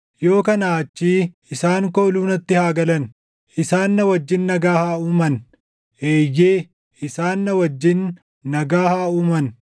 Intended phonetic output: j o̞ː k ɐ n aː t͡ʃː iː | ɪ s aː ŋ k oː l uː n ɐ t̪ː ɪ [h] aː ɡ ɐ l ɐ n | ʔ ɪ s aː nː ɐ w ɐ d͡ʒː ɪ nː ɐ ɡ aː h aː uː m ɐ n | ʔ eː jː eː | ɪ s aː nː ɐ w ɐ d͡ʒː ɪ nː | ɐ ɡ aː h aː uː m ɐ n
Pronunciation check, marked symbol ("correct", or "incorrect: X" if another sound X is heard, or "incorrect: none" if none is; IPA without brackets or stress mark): correct